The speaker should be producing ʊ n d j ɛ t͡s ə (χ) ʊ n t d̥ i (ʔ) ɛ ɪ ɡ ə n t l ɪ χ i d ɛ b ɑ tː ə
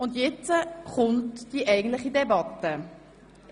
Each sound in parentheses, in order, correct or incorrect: correct, correct

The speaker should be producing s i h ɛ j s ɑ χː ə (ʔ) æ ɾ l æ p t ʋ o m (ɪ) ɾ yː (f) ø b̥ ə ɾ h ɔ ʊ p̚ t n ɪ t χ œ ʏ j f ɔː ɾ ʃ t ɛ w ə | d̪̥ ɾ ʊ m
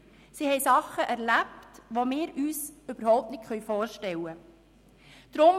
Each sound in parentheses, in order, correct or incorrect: correct, incorrect, incorrect

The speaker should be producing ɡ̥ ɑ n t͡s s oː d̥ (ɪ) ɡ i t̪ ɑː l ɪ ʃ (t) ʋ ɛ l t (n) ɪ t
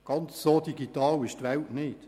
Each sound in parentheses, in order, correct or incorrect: incorrect, correct, correct

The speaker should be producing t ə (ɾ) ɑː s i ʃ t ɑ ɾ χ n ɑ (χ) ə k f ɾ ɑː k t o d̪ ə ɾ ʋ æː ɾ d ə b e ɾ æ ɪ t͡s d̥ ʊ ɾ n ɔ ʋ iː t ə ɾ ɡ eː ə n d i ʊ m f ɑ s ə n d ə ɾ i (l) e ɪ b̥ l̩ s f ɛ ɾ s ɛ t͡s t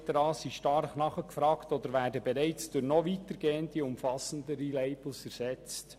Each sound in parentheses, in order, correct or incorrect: correct, correct, correct

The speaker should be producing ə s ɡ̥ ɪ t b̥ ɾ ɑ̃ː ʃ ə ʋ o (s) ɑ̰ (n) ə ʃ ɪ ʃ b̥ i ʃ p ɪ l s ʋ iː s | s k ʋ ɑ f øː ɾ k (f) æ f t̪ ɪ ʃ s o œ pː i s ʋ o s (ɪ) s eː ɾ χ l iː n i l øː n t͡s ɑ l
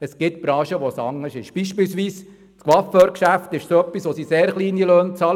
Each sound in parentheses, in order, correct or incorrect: correct, incorrect, incorrect, incorrect

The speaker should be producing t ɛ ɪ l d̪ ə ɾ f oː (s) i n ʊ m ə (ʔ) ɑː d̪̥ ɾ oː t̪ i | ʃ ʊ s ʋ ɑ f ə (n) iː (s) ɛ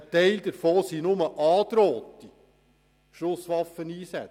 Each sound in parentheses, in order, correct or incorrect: correct, correct, correct, correct

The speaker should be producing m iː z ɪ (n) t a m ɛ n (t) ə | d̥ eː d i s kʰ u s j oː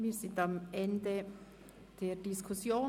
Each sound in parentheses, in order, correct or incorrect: correct, incorrect

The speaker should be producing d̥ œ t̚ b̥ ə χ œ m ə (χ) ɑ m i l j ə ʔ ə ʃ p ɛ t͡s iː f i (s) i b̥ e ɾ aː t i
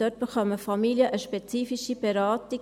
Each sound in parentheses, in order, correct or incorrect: incorrect, incorrect

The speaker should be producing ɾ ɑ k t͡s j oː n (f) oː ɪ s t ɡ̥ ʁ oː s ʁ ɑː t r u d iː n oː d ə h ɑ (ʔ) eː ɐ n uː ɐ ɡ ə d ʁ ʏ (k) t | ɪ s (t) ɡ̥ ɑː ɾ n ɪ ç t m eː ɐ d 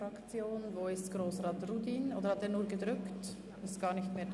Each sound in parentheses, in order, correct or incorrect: incorrect, incorrect, correct, correct

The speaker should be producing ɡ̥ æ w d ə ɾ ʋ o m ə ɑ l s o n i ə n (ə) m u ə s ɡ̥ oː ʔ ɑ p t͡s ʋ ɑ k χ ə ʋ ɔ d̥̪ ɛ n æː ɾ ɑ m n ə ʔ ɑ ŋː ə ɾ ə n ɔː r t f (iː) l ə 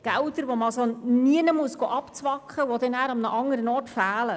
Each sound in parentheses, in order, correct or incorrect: correct, incorrect

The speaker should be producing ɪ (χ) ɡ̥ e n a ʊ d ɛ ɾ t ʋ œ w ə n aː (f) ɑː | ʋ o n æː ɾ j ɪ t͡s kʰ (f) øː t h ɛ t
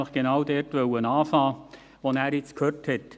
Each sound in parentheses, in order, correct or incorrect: correct, correct, incorrect

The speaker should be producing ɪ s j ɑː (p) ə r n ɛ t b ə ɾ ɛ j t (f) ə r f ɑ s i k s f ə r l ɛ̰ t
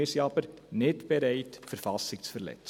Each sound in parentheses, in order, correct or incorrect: correct, correct

